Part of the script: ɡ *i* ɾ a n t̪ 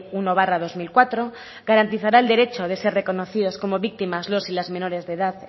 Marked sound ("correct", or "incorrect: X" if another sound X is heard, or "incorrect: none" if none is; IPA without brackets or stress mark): incorrect: a